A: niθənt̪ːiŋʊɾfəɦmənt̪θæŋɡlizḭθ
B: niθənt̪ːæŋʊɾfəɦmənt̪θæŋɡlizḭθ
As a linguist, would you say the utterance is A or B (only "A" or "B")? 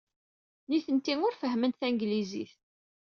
A